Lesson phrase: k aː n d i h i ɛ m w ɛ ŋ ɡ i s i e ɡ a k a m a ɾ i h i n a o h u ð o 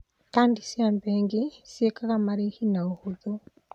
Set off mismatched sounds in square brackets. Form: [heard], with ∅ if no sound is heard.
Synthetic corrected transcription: k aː n d i [s] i [a] m [b] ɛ ŋ ɡ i s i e [k] a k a m a ɾ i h i n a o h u ð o